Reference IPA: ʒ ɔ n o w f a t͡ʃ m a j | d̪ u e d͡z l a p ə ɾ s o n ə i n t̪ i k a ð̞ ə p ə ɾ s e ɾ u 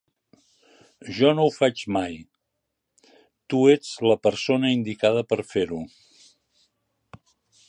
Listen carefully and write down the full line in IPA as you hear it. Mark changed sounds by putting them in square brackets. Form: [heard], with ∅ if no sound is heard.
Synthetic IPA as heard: ʒ ɔ n o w f a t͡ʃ m a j | [t̪] u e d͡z l [ə] p ə ɾ s o n ə i n [d̪] i k a ð̞ ə p ə ɾ [f] e ɾ u